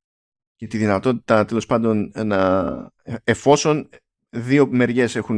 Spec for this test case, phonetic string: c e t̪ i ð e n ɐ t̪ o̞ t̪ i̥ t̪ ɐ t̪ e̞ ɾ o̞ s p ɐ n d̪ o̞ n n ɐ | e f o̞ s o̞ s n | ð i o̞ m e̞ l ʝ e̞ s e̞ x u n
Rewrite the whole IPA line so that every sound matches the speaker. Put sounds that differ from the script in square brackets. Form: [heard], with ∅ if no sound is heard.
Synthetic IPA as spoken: c e t̪ i ð [i] n ɐ t̪ o̞ t̪ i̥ t̪ ɐ t̪ e̞ [l] o̞ s p ɐ n d̪ o̞ n n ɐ | e f o̞ s o̞ [∅] n | ð i o̞ m e̞ [ɾ] ʝ e̞ s e̞ x u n